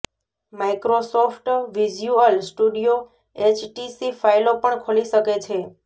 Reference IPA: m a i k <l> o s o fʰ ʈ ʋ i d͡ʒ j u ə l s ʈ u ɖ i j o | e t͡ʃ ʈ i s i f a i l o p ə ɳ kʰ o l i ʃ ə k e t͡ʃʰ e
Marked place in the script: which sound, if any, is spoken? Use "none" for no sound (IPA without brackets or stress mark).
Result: ɾ